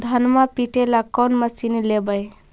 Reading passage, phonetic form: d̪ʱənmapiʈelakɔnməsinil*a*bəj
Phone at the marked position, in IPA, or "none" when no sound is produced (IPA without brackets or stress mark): e